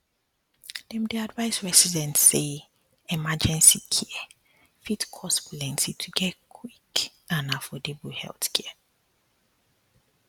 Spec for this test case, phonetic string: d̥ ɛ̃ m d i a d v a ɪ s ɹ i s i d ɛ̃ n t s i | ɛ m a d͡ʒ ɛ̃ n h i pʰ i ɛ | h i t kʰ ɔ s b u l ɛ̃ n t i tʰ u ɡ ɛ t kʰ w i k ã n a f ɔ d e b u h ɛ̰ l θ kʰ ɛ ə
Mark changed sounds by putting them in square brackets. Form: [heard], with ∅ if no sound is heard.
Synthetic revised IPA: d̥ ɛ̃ m d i a d v a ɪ s ɹ [ɛ] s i d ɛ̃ n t s [e] | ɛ m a d͡ʒ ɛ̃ n [s] i [kʰ] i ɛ | [f] i t kʰ ɔ s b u l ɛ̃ n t i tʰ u ɡ ɛ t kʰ w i k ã n a f ɔ d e b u h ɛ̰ l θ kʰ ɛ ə